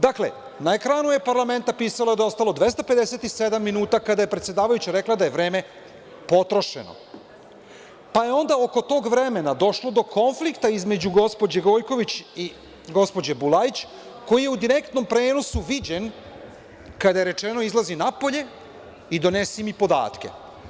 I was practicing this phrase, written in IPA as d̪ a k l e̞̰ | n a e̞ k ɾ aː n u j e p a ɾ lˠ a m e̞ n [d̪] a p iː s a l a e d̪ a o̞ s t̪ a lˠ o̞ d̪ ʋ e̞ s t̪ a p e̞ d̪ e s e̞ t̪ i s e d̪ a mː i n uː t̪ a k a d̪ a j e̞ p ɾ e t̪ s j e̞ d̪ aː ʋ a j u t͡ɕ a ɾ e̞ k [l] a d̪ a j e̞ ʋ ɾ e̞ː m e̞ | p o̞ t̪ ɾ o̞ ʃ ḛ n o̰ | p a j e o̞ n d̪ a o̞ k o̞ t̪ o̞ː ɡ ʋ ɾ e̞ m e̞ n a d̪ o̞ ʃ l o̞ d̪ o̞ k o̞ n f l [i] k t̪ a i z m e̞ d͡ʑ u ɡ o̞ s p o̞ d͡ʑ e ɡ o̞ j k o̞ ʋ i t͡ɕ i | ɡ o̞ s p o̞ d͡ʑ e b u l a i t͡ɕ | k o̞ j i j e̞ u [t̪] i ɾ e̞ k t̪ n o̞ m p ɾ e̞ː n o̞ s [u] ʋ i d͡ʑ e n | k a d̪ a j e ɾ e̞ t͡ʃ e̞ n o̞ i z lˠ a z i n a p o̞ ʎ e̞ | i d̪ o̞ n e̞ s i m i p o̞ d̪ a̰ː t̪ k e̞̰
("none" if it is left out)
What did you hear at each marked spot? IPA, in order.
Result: t̪, l, i, d̪, u

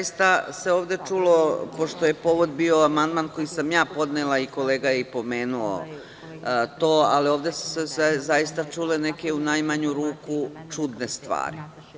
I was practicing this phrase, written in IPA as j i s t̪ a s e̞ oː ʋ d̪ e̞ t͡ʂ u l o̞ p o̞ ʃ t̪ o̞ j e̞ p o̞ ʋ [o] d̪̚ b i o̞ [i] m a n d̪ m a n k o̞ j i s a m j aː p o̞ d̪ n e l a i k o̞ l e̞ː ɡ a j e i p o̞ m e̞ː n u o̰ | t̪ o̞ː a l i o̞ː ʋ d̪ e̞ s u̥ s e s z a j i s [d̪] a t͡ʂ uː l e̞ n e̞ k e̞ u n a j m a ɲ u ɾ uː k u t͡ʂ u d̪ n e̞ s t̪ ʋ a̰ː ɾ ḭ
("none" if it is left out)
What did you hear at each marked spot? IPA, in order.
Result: o, a, t̪

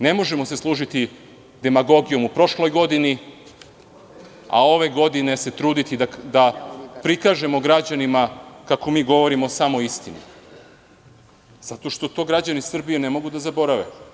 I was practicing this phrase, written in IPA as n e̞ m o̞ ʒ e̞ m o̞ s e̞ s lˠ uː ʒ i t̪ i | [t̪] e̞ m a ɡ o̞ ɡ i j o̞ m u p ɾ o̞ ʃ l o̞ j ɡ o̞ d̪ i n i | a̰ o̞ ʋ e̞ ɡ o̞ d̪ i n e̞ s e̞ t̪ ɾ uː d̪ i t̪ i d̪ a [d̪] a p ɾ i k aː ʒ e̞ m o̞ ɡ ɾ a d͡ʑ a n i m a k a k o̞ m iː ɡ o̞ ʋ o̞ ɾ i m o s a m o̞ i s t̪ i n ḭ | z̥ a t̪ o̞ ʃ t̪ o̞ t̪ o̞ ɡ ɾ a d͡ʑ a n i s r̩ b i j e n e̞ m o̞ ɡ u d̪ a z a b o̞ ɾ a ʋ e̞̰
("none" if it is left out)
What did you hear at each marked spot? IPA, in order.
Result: d̪, d̪

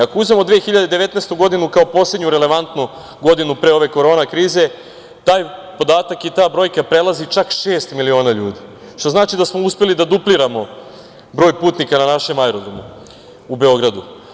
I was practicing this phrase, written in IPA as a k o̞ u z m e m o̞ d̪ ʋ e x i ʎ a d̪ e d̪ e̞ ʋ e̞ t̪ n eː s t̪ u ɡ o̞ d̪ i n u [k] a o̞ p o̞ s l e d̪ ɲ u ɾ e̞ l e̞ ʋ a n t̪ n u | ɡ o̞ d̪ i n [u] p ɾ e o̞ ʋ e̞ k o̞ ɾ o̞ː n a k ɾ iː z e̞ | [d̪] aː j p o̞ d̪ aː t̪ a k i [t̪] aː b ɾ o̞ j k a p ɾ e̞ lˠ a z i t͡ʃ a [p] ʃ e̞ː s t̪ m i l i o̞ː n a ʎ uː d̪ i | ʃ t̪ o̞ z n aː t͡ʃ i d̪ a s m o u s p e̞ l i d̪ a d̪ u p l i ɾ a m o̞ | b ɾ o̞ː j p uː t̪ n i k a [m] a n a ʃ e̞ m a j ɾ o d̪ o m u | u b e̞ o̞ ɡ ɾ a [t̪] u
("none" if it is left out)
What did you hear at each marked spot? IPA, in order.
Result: k, u, t̪, t̪, k, n, d̪

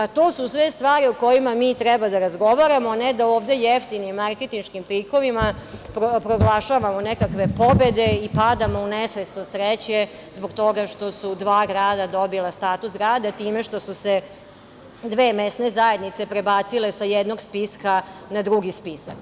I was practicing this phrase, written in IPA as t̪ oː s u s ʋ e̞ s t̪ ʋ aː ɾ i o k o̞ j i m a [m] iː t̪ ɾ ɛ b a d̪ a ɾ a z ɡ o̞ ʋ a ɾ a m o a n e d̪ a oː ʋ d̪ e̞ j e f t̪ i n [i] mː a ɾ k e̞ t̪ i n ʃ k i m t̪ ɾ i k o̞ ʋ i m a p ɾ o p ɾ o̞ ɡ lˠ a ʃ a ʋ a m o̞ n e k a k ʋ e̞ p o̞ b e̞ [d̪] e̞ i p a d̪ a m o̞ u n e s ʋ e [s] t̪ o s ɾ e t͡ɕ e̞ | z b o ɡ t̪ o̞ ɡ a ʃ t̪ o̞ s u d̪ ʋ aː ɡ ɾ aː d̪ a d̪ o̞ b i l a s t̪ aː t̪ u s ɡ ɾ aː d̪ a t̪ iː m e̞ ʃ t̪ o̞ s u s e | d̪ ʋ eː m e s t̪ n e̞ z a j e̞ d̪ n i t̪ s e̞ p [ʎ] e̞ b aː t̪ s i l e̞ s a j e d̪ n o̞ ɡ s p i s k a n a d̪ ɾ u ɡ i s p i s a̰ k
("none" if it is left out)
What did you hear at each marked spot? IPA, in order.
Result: m, i, d̪, s, ɾ

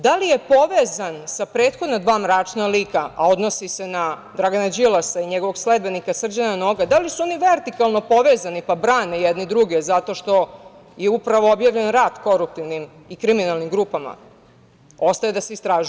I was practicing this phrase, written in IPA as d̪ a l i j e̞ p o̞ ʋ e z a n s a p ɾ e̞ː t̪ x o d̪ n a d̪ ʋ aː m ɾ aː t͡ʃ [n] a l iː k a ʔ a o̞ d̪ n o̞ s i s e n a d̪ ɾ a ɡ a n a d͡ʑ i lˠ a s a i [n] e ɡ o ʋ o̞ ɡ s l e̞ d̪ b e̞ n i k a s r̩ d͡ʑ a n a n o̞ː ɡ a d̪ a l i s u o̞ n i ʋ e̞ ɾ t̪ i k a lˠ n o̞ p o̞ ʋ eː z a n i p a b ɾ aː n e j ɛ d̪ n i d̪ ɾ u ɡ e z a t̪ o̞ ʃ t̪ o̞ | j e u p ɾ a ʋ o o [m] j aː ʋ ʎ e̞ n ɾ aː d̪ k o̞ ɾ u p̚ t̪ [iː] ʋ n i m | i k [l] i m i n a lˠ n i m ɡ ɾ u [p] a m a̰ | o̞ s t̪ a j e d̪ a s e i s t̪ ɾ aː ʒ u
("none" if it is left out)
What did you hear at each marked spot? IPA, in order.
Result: n, ɲ, b, i, ɾ, p

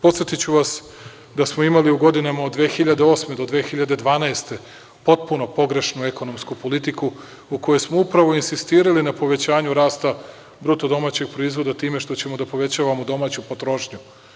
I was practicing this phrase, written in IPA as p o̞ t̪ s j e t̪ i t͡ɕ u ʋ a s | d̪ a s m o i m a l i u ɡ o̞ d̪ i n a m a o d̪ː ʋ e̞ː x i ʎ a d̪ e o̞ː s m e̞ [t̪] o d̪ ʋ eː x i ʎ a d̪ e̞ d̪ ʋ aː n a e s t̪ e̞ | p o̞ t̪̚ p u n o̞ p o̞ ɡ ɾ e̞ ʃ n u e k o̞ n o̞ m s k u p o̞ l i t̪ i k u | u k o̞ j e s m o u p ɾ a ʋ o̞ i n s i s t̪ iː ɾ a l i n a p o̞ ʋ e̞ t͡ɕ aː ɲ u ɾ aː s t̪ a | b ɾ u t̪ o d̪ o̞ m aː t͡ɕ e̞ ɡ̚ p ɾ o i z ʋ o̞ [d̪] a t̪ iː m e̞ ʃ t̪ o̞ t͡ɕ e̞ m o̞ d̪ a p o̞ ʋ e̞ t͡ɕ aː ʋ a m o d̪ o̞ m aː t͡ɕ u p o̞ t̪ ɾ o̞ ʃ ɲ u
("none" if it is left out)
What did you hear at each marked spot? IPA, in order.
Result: d̪, d̪

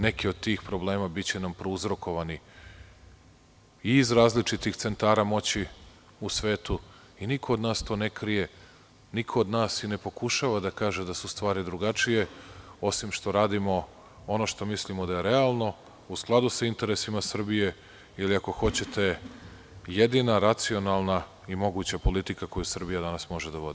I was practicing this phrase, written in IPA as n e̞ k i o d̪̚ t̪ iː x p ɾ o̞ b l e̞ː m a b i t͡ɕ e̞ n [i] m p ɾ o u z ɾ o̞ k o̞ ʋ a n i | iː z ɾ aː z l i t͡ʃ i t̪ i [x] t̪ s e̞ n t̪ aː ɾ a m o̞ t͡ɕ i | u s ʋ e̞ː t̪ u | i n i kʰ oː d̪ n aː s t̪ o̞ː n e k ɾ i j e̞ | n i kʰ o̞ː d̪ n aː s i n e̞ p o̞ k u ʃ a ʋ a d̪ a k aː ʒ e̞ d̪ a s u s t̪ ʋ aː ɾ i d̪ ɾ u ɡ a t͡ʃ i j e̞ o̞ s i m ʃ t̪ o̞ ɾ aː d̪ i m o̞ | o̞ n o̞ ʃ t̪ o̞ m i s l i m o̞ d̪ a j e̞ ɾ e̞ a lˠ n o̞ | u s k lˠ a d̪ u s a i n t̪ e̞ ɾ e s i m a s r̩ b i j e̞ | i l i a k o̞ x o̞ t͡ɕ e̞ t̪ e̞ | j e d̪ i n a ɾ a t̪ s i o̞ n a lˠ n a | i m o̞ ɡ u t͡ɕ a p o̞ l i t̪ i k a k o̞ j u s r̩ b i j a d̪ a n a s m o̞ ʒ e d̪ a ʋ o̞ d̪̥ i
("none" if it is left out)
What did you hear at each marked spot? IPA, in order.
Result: a, x

